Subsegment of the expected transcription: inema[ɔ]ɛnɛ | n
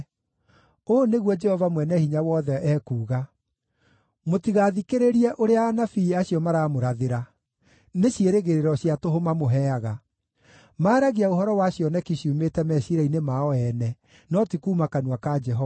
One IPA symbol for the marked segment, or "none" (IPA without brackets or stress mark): ɔ